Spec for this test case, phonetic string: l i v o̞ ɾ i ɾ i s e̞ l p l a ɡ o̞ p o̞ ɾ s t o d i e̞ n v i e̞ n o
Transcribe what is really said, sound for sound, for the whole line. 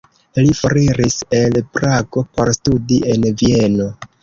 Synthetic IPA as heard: l i f o̞ ɾ i ɾ i s e̞ l p ɾ a ɡ o̞ p o̞ ɾ s t u d i e̞ n v i e̞ n o